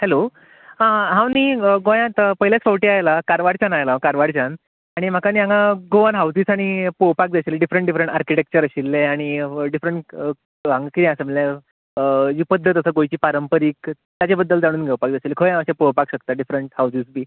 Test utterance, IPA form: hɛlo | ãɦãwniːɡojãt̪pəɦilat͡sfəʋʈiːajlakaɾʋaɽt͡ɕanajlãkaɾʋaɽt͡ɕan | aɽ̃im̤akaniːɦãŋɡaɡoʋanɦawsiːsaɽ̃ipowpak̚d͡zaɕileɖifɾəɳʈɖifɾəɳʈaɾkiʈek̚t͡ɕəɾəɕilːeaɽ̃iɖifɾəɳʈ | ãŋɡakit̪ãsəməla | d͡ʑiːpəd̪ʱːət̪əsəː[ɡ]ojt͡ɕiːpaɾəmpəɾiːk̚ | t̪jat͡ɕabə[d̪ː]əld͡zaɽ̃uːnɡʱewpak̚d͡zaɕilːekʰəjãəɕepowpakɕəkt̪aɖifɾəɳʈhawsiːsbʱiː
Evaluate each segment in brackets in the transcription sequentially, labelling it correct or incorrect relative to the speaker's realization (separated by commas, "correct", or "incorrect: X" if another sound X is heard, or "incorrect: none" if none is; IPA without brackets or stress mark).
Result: correct, correct